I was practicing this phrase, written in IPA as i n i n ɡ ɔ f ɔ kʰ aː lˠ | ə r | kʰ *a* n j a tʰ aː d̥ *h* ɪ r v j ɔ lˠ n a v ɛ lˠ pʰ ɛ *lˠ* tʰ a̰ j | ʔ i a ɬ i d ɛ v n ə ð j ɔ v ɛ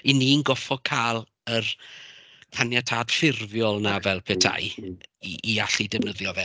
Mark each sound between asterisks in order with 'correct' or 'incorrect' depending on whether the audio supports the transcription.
correct, incorrect, incorrect

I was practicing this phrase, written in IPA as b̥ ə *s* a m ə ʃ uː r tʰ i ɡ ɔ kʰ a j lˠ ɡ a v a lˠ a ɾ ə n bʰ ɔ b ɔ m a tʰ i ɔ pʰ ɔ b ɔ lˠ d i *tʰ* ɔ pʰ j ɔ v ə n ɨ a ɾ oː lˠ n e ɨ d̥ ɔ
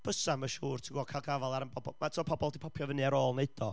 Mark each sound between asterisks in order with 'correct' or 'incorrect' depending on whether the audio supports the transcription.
correct, incorrect

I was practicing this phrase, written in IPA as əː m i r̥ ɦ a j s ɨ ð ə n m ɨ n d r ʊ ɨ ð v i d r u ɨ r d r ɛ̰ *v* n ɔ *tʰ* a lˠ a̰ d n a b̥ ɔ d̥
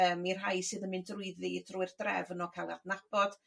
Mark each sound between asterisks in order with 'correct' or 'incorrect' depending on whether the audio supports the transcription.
correct, incorrect

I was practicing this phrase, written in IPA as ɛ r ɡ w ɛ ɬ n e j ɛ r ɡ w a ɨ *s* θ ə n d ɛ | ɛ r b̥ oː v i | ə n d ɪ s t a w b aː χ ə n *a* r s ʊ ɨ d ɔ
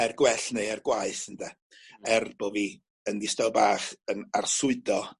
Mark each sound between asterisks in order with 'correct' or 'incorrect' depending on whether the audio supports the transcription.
incorrect, correct

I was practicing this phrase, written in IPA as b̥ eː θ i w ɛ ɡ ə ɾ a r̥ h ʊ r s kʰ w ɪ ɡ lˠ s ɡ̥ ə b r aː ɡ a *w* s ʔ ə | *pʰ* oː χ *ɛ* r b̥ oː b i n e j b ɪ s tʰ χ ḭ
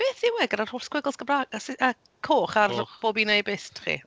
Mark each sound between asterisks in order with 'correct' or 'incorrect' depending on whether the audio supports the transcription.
incorrect, incorrect, incorrect

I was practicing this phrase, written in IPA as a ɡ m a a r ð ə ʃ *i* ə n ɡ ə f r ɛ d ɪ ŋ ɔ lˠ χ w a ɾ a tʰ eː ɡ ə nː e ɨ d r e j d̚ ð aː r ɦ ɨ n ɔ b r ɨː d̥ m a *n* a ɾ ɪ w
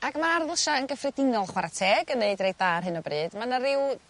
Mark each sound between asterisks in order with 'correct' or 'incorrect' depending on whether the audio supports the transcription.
incorrect, correct

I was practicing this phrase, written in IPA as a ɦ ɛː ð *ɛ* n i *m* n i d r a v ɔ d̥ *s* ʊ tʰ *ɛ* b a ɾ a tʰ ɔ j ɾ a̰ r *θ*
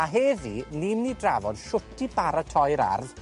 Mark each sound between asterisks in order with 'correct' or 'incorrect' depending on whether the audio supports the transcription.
incorrect, correct, incorrect, incorrect, incorrect

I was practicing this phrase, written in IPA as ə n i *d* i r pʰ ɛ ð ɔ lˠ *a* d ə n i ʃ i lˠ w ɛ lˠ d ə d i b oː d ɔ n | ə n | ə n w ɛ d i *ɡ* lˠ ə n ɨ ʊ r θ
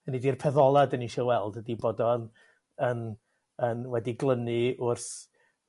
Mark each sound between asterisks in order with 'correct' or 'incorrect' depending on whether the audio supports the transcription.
correct, correct, correct

